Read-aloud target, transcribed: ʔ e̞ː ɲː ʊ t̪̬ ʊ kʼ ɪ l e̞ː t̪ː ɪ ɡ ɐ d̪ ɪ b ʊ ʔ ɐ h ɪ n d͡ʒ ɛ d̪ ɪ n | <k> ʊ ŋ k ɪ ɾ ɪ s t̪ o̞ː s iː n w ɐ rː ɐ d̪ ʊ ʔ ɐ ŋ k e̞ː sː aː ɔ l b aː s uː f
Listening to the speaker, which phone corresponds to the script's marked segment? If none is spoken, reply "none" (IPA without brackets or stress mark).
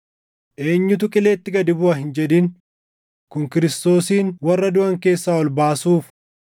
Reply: k